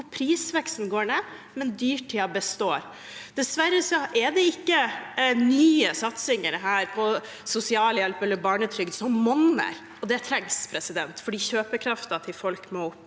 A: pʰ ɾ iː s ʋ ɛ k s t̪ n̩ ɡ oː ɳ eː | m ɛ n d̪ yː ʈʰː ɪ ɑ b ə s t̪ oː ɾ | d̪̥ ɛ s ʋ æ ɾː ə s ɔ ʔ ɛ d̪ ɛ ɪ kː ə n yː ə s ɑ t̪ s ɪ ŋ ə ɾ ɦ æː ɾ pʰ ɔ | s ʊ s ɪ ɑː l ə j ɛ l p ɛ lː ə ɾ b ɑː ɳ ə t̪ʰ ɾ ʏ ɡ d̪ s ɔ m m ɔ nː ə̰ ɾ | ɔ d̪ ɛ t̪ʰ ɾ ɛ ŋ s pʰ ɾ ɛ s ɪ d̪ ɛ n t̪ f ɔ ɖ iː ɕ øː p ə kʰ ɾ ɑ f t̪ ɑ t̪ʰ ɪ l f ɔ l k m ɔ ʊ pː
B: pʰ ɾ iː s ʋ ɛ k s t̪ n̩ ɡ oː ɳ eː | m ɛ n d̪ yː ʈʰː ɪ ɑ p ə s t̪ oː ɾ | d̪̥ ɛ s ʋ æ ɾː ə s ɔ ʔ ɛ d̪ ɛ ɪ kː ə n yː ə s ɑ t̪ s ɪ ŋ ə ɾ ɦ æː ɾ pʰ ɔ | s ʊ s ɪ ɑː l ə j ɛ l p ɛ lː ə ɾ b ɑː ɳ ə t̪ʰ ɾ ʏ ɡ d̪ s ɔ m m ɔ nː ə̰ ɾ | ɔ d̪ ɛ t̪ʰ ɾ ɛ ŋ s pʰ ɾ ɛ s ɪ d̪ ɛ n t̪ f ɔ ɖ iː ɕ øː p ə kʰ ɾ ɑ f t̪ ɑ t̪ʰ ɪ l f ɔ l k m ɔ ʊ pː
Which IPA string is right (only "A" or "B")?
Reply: A